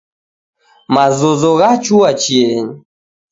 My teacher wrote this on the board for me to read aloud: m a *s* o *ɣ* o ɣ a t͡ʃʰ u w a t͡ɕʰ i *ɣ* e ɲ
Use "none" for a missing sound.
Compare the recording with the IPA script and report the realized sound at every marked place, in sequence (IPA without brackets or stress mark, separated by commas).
z, z, none